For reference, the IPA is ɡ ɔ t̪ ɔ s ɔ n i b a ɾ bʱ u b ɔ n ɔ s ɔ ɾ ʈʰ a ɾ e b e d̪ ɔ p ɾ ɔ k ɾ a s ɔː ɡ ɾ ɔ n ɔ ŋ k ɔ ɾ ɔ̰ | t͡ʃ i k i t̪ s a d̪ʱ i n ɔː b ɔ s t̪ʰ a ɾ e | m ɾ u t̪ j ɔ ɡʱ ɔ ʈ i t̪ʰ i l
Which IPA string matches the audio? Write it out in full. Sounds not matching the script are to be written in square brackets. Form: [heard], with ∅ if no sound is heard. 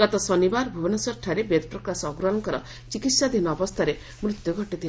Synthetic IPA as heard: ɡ ɔ t̪ ɔ s ɔ n i b a ɾ bʱ u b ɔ n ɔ s ɔ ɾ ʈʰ a ɾ e b e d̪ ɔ p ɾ ɔ k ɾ a s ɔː ɡ ɾ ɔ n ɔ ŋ k ɔ ɾ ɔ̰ | t͡ʃ i k i t̪ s a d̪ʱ i n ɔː b ɔ s t̪ʰ a ɾ e | m ɾ u t̪ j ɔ ɡʱ ɔ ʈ i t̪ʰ i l